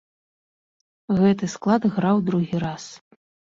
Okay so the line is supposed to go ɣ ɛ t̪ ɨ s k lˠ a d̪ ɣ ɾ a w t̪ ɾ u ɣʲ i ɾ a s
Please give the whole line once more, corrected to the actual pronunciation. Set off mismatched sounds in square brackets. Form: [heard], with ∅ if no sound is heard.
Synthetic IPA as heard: ɣ ɛ t̪ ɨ s k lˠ a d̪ ɣ ɾ a w [d̪] ɾ u ɣʲ i ɾ a s